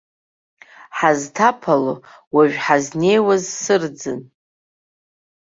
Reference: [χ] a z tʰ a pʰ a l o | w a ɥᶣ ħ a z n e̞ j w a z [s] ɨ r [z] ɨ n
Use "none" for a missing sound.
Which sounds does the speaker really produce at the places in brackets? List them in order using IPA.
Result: ħ, s, d͡z

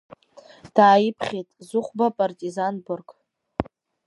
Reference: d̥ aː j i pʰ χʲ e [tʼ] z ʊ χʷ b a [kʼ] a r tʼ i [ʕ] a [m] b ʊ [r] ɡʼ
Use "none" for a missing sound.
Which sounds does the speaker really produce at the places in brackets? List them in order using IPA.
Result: tʼ, pʼ, z, n, r

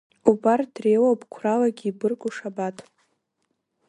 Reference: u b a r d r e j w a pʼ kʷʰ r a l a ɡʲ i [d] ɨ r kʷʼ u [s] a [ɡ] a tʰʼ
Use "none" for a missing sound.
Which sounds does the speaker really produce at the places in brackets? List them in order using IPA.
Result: b, ʂ, b

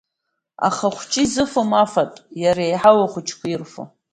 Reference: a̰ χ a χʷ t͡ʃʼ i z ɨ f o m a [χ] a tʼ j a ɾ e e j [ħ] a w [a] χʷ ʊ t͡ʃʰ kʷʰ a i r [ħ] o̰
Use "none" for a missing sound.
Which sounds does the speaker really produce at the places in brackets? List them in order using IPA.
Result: f, ħ, a, f

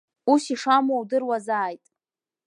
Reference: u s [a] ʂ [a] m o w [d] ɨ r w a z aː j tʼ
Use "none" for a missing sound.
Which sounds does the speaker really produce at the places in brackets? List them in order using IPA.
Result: i, a, d

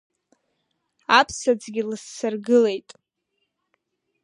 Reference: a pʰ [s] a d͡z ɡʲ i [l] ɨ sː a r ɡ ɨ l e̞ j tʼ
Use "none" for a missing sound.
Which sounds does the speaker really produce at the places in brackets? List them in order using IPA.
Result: s, l

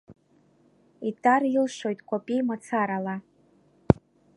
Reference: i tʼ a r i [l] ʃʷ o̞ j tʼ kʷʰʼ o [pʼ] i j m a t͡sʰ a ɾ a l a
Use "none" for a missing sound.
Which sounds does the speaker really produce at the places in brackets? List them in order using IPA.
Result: l, pʼ

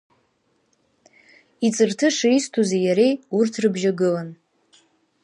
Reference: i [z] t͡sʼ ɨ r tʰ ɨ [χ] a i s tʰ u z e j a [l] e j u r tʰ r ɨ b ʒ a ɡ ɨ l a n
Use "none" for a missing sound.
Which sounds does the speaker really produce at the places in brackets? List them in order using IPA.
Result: none, ʂ, ɾ

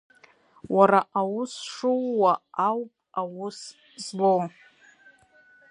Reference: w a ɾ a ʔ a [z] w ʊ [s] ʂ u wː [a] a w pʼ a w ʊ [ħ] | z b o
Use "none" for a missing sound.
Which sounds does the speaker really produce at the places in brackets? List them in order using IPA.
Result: none, s, a, s

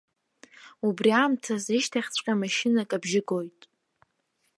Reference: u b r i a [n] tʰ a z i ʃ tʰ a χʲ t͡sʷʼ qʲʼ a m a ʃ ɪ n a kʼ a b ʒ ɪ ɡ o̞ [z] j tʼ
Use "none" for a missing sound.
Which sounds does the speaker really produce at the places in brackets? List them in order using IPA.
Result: m, none

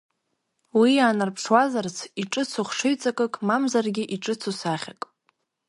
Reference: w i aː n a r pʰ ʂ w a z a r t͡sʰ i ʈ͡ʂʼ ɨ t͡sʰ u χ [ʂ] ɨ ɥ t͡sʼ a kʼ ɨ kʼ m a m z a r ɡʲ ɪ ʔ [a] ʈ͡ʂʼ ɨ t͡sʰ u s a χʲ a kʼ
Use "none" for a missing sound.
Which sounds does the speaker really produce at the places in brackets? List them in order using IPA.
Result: ʂ, i

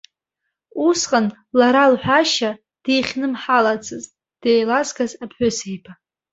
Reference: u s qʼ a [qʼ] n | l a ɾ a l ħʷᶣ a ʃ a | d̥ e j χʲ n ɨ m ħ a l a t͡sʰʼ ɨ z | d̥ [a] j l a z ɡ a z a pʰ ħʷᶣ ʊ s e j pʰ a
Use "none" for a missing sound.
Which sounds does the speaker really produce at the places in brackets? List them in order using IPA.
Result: none, e

